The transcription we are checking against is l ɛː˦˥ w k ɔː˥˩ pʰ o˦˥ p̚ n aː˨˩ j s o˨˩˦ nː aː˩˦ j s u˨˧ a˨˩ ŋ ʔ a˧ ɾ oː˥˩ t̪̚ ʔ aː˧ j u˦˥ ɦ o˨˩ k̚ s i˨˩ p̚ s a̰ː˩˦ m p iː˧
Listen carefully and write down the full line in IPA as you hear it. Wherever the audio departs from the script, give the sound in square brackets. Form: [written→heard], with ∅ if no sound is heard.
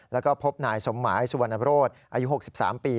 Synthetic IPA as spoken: l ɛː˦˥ w k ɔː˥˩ pʰ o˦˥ p̚ n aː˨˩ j s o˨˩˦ [nː→mː] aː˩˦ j s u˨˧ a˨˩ [ŋ→n] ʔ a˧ ɾ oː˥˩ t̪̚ ʔ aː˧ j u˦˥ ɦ o˨˩ k̚ s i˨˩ p̚ s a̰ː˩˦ m p iː˧